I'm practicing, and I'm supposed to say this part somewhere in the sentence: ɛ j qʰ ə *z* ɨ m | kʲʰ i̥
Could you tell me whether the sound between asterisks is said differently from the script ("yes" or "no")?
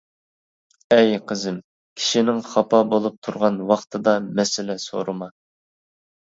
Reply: no